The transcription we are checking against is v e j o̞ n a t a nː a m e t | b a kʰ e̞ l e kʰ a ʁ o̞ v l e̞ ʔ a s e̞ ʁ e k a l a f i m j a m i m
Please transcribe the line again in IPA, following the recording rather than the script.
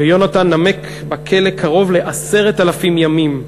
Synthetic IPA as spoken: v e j o̞ n a t a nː a m e k | b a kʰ e̞ l e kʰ a ʁ o̞ v l e̞ ʔ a s e̞ ʁ e t a l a f i m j a m i m